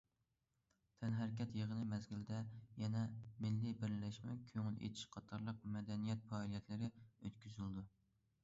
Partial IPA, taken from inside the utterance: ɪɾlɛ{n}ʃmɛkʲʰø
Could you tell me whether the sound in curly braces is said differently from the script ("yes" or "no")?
yes